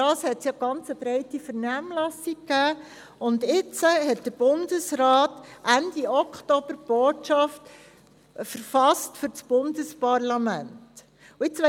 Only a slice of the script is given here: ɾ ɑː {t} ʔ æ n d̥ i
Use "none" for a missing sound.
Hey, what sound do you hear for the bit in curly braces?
t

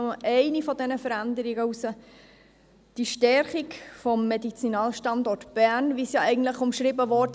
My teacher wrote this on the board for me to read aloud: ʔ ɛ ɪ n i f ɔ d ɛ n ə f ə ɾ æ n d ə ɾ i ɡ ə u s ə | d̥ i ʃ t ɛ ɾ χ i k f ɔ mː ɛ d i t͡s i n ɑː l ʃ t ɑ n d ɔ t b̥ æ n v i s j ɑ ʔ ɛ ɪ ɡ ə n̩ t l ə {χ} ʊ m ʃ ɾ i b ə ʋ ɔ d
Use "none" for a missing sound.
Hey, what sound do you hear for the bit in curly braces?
χ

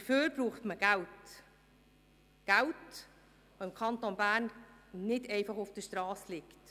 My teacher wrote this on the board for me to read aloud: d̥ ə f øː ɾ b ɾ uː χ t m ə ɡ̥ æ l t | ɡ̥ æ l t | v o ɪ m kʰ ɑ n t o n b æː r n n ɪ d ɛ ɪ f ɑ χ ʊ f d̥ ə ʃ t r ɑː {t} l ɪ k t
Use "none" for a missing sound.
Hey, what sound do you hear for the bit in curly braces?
s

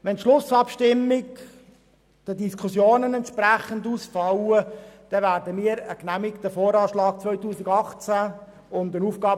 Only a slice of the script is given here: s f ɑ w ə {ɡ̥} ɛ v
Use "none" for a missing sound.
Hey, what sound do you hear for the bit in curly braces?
d̥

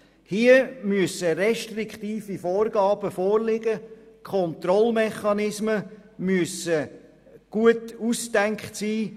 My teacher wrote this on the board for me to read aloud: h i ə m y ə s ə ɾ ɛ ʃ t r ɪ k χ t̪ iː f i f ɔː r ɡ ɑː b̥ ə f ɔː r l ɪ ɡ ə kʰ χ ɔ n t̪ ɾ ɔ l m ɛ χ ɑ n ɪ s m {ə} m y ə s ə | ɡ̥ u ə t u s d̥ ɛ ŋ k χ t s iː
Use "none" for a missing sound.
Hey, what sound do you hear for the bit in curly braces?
ə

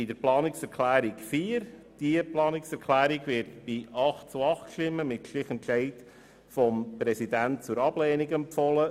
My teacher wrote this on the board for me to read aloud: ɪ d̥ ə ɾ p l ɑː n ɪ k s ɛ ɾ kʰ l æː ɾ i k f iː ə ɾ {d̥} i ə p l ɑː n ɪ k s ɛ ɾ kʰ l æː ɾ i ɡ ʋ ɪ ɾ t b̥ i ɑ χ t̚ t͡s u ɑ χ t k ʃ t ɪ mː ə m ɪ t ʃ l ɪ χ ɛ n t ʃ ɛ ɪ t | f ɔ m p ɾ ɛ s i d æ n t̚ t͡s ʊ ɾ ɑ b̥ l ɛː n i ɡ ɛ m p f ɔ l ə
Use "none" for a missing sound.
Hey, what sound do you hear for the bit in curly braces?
d̥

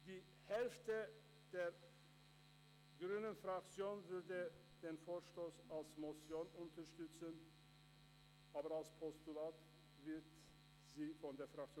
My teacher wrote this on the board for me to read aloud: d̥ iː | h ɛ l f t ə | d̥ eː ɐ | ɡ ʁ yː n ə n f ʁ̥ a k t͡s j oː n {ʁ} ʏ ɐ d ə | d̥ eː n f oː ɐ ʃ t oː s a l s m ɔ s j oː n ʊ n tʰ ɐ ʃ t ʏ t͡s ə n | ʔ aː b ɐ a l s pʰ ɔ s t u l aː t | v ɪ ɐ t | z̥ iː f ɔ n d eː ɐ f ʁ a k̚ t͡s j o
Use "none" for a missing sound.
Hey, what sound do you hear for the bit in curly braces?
v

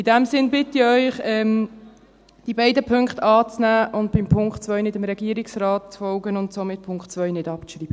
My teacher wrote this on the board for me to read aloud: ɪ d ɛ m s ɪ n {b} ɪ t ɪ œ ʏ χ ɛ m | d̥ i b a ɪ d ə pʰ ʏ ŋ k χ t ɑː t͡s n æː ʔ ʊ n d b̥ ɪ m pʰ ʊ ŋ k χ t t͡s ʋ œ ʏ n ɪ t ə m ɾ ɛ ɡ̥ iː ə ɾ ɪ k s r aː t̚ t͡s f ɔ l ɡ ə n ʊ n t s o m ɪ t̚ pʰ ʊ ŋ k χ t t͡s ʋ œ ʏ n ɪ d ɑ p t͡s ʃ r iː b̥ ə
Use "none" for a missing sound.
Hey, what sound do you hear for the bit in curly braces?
b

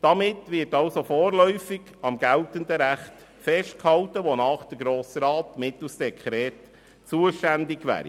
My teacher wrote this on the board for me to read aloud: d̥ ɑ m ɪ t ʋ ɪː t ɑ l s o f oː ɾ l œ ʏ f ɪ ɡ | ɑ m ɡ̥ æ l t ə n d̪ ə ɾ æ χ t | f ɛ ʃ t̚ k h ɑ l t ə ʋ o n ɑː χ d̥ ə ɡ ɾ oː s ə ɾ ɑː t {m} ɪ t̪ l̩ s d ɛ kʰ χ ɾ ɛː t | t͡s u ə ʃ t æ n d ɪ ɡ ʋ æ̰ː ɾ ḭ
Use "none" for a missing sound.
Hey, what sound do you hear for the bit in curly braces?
m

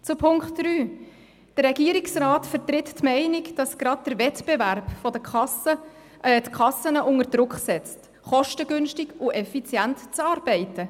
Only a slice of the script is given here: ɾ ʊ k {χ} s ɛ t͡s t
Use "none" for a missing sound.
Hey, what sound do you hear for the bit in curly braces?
χ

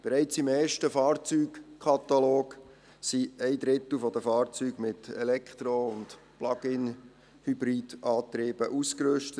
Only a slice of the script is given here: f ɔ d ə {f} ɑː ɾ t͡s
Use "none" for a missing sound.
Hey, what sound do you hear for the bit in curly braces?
f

